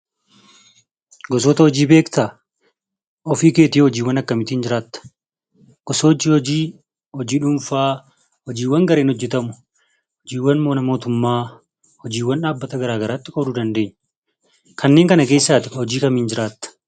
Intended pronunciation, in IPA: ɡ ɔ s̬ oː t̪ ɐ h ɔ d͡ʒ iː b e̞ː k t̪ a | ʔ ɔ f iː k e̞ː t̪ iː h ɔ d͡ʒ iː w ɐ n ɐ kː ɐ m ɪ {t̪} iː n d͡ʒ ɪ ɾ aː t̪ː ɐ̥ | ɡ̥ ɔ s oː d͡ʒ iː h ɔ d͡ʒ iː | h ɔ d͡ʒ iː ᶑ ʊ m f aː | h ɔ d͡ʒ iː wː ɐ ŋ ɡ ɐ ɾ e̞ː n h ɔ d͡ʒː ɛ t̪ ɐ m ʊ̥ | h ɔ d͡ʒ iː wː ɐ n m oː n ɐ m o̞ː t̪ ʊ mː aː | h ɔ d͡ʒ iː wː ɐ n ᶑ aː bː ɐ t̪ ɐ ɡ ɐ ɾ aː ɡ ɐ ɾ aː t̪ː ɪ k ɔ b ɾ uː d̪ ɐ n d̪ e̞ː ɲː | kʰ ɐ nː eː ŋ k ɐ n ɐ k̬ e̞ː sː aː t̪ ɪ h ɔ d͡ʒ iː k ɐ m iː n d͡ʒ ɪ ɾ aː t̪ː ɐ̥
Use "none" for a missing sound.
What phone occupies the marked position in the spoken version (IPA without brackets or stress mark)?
t̪